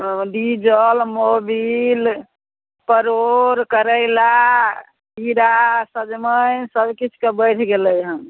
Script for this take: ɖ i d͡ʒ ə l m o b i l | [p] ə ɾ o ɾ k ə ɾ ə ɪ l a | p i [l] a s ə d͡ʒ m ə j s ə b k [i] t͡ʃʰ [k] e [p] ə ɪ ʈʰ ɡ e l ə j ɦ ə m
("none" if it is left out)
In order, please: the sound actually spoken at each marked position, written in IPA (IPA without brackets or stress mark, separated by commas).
p, ɾ, i, k, b